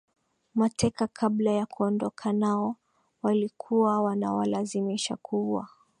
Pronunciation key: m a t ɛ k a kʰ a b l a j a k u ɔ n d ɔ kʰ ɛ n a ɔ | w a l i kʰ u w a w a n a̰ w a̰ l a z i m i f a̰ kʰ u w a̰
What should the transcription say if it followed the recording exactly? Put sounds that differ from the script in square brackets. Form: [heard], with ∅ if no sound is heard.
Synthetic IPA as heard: m a t ɛ k a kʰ a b l a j a k u ɔ n d ɔ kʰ [a] n a ɔ | w a l i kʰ u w a w a n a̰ w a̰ l a z i m i [ʃ] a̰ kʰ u w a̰

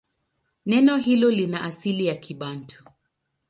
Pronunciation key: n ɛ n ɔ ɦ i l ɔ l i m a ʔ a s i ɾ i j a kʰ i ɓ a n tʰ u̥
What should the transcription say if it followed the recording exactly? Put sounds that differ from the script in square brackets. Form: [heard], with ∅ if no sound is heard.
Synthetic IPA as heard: n ɛ n ɔ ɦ i l ɔ l i [n] a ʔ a s i [l] i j a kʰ i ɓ a n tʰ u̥

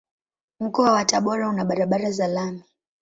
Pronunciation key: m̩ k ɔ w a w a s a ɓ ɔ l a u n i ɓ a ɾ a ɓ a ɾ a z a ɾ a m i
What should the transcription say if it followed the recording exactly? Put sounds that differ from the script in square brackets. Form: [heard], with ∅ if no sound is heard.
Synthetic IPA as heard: m̩ k ɔ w a w a [t] a ɓ ɔ [ɾ] a u n [a] ɓ a ɾ a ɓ a ɾ a z a [l] a m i

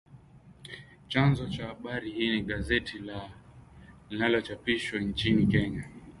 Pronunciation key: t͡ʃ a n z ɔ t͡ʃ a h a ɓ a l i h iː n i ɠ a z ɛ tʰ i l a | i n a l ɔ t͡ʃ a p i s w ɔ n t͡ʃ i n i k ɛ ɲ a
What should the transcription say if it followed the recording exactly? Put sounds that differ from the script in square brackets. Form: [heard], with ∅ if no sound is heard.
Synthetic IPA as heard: t͡ʃ a n z ɔ t͡ʃ a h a ɓ a [ɾ] i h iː n i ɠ a z ɛ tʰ i l a | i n a l ɔ t͡ʃ a p i [ʃ] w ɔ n t͡ʃ i n i k ɛ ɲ a

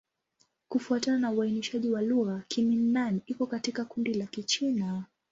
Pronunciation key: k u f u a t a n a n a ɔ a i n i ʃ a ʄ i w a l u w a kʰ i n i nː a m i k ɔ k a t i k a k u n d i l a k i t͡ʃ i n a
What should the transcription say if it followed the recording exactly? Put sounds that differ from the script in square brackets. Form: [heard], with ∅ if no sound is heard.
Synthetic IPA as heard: k u f u a t a n a n a [u] a i n i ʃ a ʄ i w a l u [ɣ] a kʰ i [m] i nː a [n] i k ɔ k a t i k a k u n d i l a k i t͡ʃ i n a

